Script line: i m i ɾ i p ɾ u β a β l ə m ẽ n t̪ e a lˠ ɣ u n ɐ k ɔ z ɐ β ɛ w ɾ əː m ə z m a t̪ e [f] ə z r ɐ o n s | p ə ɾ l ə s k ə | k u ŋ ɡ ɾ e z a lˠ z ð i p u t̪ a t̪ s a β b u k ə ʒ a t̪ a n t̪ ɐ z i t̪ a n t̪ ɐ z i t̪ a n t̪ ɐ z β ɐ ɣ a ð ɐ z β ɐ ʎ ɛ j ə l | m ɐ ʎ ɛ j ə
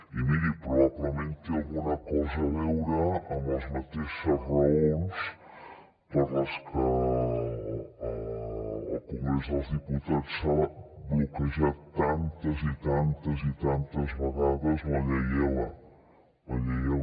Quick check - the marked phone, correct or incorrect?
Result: incorrect